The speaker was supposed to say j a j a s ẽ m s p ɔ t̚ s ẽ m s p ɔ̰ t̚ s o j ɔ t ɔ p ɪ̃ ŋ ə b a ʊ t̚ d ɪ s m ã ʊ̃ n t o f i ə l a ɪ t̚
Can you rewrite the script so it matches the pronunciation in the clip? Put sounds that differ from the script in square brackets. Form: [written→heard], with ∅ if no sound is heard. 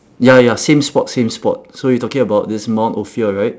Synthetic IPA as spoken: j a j a s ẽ m s p ɔ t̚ s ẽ m s p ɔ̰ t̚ s o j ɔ t ɔ [p→k] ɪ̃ ŋ ə b a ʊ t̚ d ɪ s m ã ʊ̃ n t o f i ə [l→ɹ] a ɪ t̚